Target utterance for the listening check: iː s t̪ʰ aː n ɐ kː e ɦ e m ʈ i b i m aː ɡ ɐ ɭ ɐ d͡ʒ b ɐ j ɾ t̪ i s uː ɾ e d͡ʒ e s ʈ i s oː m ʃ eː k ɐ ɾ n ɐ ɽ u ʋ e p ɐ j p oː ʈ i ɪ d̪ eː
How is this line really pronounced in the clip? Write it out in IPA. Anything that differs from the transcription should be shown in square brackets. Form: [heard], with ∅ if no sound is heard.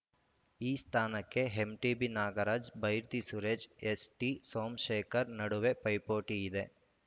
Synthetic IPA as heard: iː s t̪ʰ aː n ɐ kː e ɦ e m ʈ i b i [n] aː ɡ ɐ [ɾ] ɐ d͡ʒ b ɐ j ɾ t̪ i s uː ɾ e d͡ʒ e s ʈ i s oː m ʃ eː k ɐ ɾ n ɐ ɽ u ʋ e p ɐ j p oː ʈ i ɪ d̪ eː